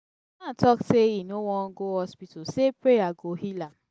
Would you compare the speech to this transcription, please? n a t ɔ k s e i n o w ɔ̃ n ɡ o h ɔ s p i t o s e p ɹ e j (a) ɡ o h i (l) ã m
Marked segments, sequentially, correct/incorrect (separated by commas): correct, correct